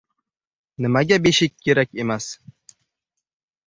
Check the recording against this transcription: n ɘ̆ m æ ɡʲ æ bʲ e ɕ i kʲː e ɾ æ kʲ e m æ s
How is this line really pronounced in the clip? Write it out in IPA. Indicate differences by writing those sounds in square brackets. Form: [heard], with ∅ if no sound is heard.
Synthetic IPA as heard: n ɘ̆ m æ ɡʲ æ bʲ e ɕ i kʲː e ɾ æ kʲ e m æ s